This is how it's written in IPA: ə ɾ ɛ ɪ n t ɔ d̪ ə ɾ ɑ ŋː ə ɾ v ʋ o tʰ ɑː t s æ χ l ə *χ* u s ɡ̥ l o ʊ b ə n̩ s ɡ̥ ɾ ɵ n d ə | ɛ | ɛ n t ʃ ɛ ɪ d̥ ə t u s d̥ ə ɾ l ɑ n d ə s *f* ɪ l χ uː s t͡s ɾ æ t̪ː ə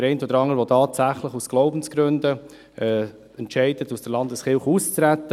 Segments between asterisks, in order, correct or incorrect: correct, incorrect

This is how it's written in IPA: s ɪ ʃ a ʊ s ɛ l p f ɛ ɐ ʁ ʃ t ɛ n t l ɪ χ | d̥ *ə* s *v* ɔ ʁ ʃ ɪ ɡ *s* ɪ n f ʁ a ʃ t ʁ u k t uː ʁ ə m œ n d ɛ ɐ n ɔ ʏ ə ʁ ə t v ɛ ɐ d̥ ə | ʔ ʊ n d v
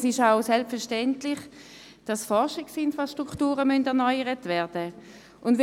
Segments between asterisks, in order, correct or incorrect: incorrect, incorrect, correct

